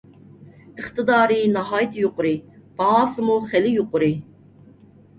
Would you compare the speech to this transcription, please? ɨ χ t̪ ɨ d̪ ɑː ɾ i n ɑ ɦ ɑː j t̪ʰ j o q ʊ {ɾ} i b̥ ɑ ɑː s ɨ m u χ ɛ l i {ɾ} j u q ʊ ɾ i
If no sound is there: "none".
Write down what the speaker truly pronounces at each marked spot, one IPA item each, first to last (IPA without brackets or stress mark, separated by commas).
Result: ɾ, none